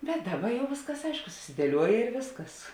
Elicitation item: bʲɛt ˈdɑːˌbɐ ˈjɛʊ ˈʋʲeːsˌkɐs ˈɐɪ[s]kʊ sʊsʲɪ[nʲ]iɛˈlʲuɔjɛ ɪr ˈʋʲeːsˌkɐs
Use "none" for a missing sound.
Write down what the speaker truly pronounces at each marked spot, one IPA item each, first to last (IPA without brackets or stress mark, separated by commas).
ʃ, dʲ